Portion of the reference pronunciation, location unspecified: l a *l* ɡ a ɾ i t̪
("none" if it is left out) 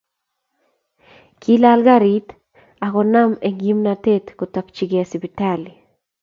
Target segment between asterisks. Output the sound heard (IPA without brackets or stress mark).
l